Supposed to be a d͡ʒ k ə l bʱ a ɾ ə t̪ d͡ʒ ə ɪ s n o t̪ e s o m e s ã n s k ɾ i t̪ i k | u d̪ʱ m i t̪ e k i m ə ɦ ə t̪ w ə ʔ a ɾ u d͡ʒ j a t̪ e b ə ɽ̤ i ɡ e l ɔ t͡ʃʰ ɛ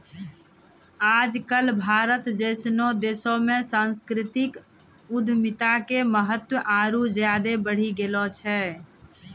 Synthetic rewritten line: a d͡ʒ k ə l bʱ a ɾ ə t̪ d͡ʒ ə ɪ s n o d̪ e s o m e s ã n s k ɾ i t̪ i k | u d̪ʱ m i t̪ a k e m ə ɦ ə t̪ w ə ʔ a ɾ u d͡ʒ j a d̪ e b ə ɽ̤ i ɡ e l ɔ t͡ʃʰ ɛ